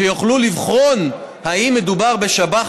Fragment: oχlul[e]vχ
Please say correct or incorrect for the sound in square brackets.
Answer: incorrect